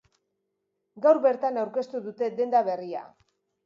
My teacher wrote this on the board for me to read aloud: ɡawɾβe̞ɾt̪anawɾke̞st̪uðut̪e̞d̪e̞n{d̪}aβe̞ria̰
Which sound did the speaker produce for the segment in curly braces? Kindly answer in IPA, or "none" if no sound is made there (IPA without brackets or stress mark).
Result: d̪